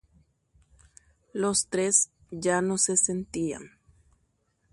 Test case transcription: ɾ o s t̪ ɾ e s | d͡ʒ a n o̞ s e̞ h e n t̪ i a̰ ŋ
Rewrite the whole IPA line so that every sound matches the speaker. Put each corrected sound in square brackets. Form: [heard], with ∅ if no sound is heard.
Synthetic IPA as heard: [l] o s t̪ ɾ e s | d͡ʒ a n o̞ s e̞ [s] e n t̪ i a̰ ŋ